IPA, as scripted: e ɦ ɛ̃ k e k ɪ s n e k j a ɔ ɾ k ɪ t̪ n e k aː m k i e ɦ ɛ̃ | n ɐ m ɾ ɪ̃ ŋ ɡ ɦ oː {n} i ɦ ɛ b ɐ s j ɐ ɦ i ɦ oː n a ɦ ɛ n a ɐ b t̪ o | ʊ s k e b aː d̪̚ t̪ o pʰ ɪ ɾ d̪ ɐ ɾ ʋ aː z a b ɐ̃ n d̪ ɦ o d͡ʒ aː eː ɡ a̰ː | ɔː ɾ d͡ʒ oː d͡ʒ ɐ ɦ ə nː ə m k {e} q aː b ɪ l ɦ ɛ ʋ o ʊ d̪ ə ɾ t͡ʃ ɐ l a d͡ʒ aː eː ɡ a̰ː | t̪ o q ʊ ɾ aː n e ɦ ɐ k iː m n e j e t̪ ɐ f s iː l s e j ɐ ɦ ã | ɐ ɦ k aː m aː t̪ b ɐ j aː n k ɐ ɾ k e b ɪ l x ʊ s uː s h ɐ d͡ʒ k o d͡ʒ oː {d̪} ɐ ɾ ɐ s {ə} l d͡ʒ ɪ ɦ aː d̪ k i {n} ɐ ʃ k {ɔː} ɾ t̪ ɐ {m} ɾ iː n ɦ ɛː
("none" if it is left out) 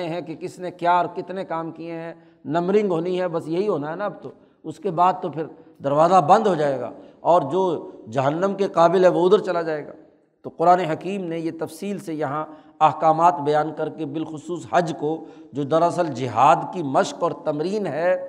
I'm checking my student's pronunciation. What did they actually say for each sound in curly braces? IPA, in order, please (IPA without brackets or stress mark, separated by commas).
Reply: n, e, d̪, ə, m, ɔː, m